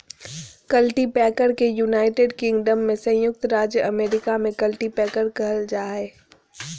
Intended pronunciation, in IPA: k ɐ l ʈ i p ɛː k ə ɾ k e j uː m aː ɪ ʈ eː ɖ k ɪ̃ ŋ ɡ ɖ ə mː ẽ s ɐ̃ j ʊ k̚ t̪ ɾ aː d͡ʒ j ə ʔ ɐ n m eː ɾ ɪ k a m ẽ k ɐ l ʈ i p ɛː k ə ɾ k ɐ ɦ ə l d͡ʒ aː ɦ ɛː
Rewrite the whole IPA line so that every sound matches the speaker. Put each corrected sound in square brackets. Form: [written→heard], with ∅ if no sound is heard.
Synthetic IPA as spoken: k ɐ l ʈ i p ɛː k ə ɾ k e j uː [m→n] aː ɪ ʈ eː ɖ k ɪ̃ ŋ ɡ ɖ ə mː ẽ s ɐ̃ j ʊ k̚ t̪ ɾ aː d͡ʒ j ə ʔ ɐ [n→∅] m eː ɾ ɪ k a m ẽ k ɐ l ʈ i p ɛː k ə ɾ k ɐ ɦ ə l d͡ʒ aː ɦ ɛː